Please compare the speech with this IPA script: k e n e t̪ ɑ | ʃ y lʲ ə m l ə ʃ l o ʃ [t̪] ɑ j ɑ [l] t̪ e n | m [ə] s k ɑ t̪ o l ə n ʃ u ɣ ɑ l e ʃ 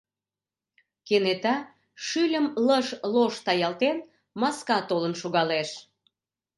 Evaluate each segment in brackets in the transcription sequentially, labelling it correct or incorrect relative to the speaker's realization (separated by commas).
correct, correct, incorrect